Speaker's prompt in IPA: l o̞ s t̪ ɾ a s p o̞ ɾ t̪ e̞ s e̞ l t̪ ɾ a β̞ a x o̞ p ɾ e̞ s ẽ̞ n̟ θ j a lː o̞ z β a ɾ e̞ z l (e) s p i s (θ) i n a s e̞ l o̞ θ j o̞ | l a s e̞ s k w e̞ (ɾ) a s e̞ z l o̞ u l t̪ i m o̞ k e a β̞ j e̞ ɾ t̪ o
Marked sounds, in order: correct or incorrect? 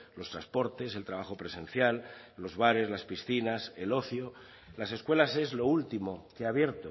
incorrect, correct, incorrect

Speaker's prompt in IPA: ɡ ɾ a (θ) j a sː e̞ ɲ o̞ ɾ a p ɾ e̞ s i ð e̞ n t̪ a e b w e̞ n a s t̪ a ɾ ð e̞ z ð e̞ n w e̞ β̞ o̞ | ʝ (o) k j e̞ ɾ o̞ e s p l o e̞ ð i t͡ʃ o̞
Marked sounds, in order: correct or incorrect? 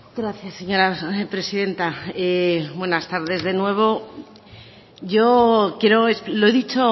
correct, correct

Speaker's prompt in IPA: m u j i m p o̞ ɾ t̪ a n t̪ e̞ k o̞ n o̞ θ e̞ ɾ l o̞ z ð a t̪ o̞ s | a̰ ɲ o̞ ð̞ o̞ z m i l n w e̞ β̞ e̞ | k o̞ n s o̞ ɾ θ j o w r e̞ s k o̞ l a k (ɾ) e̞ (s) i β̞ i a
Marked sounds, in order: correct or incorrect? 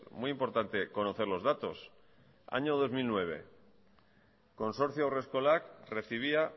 incorrect, incorrect

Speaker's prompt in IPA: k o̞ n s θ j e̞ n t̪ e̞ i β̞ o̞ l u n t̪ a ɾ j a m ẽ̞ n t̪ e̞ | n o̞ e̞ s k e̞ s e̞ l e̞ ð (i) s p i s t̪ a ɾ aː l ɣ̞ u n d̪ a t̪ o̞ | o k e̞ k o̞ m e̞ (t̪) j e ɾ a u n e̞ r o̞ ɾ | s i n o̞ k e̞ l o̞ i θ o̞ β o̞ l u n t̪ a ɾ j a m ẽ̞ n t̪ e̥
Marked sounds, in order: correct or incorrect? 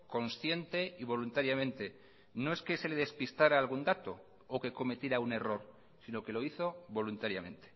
incorrect, correct

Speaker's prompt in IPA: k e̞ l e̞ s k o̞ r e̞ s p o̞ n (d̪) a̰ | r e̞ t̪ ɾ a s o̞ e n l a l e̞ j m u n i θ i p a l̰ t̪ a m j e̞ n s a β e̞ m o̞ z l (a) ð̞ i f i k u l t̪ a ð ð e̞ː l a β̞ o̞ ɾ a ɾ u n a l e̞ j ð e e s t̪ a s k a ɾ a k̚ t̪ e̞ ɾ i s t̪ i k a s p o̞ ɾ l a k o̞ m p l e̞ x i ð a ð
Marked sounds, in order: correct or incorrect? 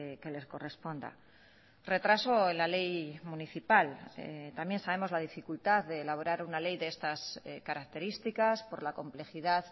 correct, correct

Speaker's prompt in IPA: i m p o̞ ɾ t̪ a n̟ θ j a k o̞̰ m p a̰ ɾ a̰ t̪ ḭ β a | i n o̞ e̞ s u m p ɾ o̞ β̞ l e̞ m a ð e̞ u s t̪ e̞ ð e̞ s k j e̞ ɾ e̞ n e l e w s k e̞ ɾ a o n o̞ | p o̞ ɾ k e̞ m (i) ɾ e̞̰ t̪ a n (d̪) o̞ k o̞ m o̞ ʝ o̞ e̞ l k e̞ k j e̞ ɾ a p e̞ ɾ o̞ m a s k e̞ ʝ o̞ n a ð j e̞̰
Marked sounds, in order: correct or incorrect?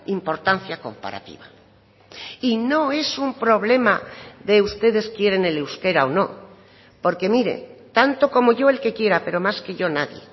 correct, incorrect

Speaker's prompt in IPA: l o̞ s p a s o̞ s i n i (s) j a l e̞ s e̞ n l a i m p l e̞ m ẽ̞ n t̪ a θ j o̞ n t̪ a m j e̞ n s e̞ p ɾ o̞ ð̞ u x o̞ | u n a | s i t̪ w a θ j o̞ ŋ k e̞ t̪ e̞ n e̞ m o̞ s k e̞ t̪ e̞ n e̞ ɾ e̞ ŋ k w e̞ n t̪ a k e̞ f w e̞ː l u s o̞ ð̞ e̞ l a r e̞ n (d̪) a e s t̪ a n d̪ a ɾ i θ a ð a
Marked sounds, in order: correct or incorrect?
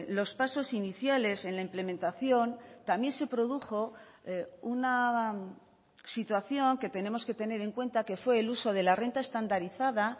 incorrect, incorrect

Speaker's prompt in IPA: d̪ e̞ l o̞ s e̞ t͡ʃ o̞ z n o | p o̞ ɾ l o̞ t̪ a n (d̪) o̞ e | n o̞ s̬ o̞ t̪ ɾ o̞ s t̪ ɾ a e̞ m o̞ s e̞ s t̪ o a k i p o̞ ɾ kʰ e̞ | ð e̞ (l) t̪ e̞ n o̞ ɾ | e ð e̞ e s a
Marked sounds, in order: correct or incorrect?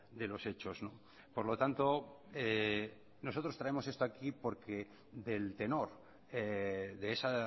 incorrect, correct

